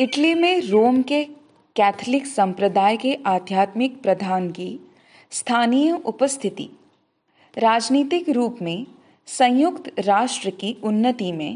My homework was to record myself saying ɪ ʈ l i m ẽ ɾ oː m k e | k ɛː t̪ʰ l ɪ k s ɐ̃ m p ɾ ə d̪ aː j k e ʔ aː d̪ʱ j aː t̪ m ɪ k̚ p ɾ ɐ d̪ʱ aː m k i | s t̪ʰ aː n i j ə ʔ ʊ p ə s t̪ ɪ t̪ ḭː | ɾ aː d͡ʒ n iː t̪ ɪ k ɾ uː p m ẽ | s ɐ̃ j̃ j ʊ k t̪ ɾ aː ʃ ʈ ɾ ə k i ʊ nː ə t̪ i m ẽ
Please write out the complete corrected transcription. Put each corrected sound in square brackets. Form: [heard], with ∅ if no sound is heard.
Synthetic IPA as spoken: ɪ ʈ l i m ẽ ɾ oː m k e | k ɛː t̪ʰ l ɪ k s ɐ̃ m p ɾ ə d̪ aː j k e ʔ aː d̪ʱ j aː t̪ m ɪ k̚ p ɾ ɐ d̪ʱ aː [n] k i | s t̪ʰ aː n i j ə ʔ ʊ p ə s [t̪ʰ] ɪ t̪ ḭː | ɾ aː d͡ʒ n iː t̪ ɪ k ɾ uː p m ẽ | s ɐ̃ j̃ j ʊ k t̪ ɾ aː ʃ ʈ ɾ ə k i ʊ nː ə t̪ i m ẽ